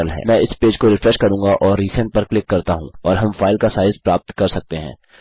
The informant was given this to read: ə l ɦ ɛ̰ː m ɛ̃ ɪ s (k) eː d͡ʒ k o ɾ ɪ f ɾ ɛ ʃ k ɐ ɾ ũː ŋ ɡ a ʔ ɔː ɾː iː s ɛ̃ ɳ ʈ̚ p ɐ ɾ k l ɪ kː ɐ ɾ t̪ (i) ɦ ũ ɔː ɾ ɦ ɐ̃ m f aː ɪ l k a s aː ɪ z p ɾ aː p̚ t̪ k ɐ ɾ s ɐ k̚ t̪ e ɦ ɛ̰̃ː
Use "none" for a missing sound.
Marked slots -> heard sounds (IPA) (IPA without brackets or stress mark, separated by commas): p, a